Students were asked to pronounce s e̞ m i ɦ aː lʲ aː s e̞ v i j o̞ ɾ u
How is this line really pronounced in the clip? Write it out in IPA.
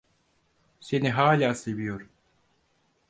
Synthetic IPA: s e̞ n i ɦ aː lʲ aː s e̞ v i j o̞ ɾ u